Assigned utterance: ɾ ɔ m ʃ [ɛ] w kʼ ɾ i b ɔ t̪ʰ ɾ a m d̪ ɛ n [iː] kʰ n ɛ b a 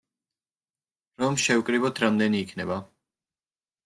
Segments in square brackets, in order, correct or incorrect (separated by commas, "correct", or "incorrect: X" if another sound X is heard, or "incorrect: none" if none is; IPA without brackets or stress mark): correct, correct